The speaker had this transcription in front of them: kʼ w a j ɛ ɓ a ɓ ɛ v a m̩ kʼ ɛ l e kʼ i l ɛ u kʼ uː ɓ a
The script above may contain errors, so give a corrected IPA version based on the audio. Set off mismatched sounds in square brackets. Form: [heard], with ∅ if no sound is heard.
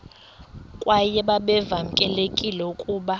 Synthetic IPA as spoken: kʼ w a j ɛ ɓ a ɓ ɛ v a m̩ kʼ ɛ l e kʼ i l ɛ u kʼ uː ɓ a